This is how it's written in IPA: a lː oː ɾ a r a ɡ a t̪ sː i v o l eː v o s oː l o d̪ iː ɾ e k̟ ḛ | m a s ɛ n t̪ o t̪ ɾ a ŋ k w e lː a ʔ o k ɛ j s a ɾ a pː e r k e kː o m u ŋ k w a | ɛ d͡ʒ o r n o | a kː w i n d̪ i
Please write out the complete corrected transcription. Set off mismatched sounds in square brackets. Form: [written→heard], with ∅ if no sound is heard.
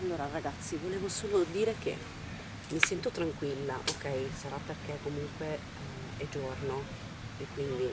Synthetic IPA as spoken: a lː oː ɾ a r a ɡ a t̪ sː i v o l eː v o s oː l o d̪ iː ɾ e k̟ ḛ | m [a→i] s ɛ n t̪ o t̪ ɾ a ŋ k w [e→i] lː a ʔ o k ɛ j s a ɾ a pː e r k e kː o m u ŋ k w [a→e] | ɛ d͡ʒ o r n o | [a→e] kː w i n d̪ i